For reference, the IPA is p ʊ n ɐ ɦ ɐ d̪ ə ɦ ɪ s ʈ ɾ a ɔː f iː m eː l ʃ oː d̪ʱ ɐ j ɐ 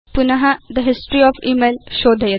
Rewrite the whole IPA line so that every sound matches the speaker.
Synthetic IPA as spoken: p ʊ n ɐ ɦ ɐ d̪ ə ɦ ɪ s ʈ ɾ i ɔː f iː m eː l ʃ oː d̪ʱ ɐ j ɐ